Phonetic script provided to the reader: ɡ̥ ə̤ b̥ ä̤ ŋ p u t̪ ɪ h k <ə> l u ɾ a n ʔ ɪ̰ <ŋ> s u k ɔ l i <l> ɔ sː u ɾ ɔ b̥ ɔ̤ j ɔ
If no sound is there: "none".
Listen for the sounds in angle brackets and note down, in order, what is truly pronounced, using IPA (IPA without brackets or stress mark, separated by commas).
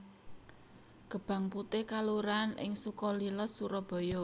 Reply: a, ŋ, l